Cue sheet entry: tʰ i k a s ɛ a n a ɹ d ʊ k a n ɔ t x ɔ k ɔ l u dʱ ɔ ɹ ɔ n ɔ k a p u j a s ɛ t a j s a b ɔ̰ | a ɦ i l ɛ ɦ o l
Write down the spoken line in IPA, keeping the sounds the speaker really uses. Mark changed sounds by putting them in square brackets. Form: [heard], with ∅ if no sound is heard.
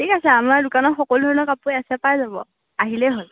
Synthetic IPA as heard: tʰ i k a s ɛ a [m] a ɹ d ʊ k a n ɔ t x ɔ k ɔ l u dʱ ɔ ɹ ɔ n ɔ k a p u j a s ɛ [p] a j [z] a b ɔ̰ | a ɦ i l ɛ ɦ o l